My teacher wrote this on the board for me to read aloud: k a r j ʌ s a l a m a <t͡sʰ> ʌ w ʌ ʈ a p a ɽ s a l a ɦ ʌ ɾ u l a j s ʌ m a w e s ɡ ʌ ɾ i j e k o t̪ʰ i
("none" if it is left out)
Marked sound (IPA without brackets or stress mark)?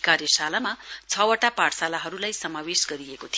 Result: t͡sʰ